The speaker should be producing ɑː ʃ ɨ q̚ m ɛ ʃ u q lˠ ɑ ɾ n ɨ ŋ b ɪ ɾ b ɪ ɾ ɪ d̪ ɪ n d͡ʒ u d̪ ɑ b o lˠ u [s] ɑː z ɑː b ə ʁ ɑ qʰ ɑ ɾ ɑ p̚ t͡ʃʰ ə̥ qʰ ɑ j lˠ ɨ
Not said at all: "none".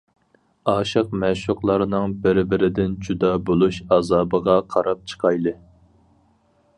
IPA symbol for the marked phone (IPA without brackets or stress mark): ʃ